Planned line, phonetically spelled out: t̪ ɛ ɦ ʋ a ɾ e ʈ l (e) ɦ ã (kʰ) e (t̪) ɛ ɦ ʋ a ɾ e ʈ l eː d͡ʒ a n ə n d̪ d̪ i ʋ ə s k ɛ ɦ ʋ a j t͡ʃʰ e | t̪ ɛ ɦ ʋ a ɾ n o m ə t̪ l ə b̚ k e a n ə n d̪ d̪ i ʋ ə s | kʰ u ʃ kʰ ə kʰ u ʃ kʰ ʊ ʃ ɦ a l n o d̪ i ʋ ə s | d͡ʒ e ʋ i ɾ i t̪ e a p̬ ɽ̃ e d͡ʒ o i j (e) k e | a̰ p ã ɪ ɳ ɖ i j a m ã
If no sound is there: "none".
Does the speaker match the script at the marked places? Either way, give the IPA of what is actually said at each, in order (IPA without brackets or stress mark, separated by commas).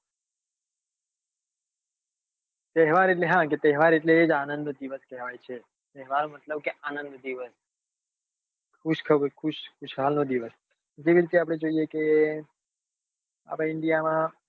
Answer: e, k, t̪, e